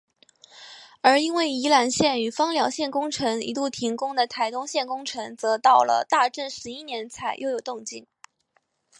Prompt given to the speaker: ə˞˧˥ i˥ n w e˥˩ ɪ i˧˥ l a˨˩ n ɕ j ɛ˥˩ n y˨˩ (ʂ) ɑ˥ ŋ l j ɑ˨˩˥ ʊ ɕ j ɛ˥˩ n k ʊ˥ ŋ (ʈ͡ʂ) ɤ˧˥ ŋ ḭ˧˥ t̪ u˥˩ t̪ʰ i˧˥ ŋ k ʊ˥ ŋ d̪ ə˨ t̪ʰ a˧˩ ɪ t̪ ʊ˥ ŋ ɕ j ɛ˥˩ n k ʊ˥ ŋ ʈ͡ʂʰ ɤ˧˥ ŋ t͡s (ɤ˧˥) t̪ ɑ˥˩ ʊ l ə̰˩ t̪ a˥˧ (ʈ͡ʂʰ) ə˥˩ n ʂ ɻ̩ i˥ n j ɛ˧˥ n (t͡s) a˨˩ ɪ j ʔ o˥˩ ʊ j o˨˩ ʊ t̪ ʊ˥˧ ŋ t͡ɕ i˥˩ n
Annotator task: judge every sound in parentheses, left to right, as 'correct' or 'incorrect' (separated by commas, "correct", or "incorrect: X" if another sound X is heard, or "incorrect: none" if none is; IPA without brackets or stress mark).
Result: incorrect: f, incorrect: ʈ͡ʂʰ, correct, incorrect: ʈ͡ʂ, incorrect: t͡sʰ